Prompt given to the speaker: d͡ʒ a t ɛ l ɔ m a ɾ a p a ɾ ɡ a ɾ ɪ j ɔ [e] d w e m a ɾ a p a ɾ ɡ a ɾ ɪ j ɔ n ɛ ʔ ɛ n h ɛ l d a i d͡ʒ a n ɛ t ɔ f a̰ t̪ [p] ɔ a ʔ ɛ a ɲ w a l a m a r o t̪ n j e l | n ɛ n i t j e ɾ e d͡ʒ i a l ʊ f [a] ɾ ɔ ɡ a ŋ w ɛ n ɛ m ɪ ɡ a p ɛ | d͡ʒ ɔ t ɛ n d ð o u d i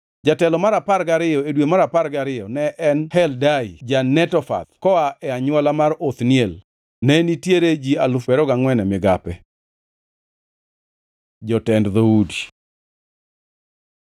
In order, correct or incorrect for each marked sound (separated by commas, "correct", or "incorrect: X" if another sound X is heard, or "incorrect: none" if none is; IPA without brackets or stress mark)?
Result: correct, incorrect: k, incorrect: ɛ